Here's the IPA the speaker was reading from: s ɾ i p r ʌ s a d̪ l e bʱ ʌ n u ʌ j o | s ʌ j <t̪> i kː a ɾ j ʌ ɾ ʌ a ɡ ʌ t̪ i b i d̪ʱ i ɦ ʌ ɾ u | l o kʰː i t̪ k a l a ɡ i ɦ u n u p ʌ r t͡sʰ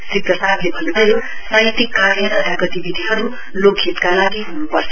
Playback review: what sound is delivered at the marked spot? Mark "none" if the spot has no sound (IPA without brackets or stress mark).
t̪